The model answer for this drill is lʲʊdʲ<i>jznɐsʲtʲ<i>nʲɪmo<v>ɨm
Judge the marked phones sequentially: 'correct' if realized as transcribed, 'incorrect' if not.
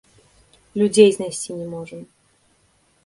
incorrect: e, correct, incorrect: ʐ

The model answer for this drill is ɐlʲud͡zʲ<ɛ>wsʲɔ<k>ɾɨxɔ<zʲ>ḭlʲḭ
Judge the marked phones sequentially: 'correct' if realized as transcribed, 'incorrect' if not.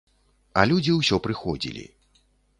incorrect: i, incorrect: p, incorrect: d͡zʲ

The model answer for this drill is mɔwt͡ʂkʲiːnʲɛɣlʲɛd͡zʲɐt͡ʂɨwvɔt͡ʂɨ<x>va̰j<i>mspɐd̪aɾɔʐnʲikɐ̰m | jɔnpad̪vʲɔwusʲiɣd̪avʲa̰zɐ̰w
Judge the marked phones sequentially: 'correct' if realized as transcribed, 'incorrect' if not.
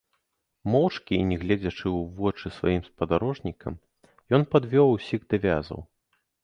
incorrect: s, correct

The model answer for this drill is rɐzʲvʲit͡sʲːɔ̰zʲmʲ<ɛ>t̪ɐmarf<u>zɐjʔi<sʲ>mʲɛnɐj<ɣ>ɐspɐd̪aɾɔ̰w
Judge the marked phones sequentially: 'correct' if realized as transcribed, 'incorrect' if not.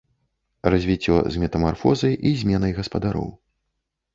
correct, incorrect: ɔ, incorrect: zʲ, correct

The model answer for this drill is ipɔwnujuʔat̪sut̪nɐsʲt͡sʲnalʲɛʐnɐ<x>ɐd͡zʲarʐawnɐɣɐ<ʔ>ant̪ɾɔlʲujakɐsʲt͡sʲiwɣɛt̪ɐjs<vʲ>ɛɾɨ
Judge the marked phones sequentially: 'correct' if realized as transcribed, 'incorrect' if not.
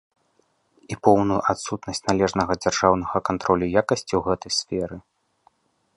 incorrect: ɣ, incorrect: k, incorrect: fʲ

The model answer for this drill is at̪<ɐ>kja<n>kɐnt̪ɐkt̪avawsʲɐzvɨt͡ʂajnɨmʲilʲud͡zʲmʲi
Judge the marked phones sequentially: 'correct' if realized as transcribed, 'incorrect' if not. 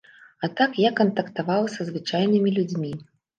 incorrect: a, incorrect: none

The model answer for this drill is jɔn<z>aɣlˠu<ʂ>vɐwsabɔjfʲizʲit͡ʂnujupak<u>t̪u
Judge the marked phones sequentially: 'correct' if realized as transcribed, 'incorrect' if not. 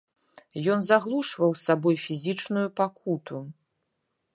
correct, correct, correct

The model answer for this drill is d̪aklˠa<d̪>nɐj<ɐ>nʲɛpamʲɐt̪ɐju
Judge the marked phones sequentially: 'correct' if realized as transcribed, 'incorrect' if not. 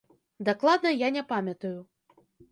correct, incorrect: a

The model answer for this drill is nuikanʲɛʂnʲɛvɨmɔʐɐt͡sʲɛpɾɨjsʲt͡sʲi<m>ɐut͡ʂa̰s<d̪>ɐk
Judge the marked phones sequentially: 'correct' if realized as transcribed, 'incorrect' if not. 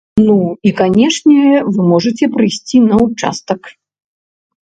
incorrect: n, incorrect: t̪

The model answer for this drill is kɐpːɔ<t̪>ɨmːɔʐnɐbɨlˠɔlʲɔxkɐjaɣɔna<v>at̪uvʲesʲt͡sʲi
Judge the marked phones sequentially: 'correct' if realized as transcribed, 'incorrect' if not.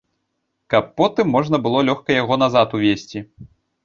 correct, incorrect: z

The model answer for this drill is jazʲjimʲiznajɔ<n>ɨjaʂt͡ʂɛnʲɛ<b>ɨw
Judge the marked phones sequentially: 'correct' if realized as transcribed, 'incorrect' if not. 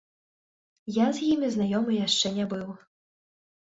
incorrect: m, correct

